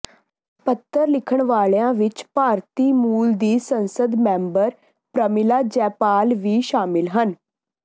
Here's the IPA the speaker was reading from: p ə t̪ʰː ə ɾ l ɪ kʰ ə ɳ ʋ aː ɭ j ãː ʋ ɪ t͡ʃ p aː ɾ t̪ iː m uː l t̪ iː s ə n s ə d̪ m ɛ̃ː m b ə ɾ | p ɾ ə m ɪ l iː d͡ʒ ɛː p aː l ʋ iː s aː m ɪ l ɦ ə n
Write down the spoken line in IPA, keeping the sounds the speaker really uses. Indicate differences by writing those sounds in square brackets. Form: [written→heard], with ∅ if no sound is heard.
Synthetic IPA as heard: p ə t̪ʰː ə ɾ l ɪ kʰ ə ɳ ʋ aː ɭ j ãː ʋ ɪ t͡ʃ p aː ɾ t̪ iː m uː l [t̪→d̪] iː s ə n s ə d̪ m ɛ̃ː m b ə ɾ | p ɾ ə m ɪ l [iː→aː] d͡ʒ ɛː p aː l ʋ iː [s→ʃ] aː m ɪ l ɦ ə n